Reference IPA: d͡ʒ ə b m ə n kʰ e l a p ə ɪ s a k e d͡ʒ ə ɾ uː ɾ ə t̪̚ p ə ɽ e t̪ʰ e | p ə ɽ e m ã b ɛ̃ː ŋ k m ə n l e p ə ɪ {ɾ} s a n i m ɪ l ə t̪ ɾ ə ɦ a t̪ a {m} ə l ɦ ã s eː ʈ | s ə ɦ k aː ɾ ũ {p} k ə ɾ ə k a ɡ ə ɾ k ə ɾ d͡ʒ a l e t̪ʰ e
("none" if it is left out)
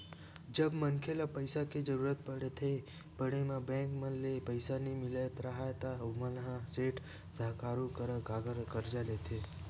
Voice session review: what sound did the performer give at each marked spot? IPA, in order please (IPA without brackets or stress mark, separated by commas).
none, m, none